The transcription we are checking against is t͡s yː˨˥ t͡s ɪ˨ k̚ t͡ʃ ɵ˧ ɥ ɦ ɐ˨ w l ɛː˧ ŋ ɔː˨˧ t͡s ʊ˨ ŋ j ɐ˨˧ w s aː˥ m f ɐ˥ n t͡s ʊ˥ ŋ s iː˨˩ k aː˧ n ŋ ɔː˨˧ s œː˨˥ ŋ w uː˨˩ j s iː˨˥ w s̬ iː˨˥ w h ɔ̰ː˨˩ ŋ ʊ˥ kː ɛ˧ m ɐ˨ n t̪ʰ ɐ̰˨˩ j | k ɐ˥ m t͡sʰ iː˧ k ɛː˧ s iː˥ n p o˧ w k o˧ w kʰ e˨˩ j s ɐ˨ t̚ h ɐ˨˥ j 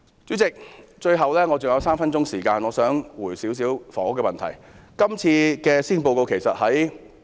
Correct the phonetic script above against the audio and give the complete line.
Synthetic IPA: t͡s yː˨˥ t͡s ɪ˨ k̚ t͡ʃ ɵ˧ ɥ ɦ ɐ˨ w l ɛː˥ ŋ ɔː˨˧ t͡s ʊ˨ ŋ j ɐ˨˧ w s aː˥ m f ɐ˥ n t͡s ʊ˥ ŋ s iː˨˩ k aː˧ n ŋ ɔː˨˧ s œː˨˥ ŋ w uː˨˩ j s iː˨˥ w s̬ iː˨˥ w f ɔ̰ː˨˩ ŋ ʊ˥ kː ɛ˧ m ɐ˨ n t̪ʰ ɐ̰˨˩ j | k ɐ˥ m t͡sʰ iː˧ k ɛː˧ s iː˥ n p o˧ w k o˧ w kʰ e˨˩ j s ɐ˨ t̚ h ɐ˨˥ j